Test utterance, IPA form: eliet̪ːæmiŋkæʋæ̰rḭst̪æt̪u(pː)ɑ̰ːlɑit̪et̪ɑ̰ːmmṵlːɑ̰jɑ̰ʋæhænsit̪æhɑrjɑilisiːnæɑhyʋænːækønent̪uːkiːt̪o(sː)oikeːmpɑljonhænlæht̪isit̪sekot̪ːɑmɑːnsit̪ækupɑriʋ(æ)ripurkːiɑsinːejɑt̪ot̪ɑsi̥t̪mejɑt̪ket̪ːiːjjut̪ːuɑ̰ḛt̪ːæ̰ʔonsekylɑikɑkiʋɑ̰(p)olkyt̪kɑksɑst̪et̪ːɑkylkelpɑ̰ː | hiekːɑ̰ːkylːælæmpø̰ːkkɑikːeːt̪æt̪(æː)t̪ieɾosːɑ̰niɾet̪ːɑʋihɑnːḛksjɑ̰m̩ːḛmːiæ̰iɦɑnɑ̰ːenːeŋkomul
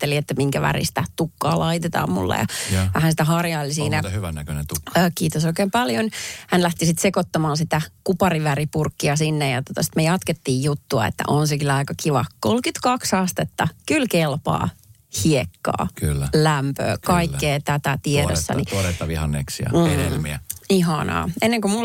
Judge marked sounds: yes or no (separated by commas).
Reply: no, no, yes, no, no